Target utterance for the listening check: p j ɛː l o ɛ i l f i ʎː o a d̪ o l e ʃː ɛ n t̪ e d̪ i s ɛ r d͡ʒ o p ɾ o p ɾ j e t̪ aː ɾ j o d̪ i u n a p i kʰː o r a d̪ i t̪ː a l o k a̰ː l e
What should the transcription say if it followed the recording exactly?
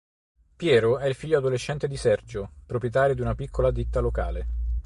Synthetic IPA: p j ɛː ɾ o ɛ i l f i ʎː o a d̪ o l e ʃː ɛ n t̪ e d̪ i s ɛ r d͡ʒ o p ɾ o p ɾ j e t̪ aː ɾ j o d̪ i u n a p i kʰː o l a d̪ i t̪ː a l o k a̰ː l e